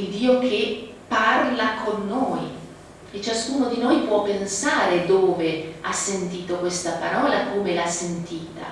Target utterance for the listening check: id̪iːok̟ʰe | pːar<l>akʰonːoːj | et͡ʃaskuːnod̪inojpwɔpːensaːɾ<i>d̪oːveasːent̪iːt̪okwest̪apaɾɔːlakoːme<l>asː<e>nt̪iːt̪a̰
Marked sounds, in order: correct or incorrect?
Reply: correct, incorrect: e, correct, correct

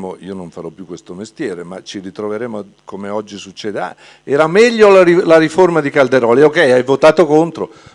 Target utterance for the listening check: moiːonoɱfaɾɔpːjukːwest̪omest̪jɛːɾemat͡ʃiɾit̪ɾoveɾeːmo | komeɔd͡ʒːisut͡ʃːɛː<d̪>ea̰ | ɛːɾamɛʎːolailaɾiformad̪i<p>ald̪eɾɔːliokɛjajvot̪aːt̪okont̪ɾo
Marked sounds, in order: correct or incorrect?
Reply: correct, incorrect: k

